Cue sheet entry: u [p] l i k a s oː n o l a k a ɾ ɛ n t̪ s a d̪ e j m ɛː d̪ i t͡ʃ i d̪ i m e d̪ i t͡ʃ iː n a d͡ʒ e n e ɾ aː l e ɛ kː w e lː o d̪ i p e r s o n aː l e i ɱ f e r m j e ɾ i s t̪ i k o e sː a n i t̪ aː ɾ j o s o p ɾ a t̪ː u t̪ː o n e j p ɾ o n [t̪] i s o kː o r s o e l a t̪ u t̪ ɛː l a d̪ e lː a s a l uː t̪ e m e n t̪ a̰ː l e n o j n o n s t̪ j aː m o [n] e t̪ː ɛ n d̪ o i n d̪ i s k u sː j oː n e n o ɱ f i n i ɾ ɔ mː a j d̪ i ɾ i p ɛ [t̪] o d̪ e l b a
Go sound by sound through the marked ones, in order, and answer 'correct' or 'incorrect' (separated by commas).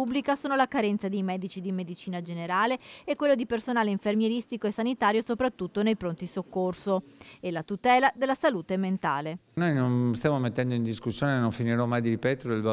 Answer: incorrect, correct, incorrect, correct